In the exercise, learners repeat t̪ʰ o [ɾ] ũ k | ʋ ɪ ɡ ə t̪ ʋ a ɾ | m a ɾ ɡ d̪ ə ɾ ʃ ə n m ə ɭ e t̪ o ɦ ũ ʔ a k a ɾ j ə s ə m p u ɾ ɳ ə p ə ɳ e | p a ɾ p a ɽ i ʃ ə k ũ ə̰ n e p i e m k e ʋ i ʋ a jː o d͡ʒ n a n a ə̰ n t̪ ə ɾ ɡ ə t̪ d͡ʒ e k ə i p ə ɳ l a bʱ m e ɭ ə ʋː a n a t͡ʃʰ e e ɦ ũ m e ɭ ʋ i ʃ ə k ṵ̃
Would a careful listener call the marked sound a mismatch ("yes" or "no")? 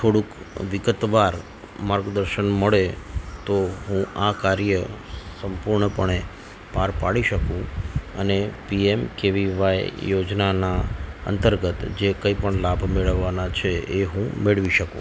yes